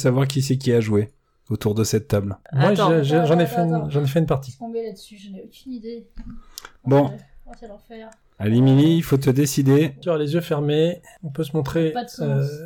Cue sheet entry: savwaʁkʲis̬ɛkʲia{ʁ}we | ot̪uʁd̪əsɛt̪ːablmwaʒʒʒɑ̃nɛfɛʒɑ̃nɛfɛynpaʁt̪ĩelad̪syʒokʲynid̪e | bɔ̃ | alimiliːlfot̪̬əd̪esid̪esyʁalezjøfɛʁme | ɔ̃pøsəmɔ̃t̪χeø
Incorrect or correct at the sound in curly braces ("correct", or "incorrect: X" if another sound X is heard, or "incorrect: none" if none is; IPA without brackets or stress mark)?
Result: incorrect: ʒ